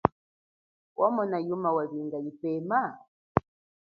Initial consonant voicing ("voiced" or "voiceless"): voiced